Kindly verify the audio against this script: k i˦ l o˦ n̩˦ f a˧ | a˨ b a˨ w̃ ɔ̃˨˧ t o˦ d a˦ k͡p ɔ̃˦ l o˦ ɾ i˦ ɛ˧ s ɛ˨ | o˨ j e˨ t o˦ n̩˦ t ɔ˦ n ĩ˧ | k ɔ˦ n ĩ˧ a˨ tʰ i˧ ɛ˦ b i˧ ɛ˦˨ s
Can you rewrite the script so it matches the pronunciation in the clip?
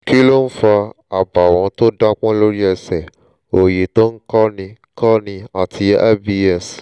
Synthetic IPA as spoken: k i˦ l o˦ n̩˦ f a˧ | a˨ b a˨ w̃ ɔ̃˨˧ t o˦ d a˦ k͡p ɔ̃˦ l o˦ ɾ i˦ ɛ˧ s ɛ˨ | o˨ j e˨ t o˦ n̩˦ k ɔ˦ n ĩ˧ | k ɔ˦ n ĩ˧ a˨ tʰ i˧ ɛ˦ b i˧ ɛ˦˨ s